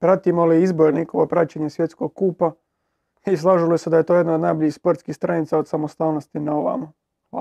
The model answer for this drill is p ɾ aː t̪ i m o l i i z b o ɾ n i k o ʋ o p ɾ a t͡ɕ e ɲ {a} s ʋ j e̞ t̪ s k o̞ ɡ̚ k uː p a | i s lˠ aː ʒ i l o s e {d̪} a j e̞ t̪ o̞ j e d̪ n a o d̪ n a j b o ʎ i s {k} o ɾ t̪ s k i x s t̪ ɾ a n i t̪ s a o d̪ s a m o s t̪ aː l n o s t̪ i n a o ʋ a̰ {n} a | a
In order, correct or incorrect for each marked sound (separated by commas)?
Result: incorrect, correct, incorrect, incorrect